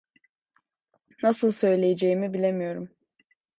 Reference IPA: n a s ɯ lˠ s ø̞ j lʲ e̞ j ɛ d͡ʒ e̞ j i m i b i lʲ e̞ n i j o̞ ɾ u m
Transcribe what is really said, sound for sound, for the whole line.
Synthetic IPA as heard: n a s ɯ lˠ s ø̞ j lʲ e̞ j e d͡ʒ e̞ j i m i b i lʲ e̞ m i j o̞ ɾ u m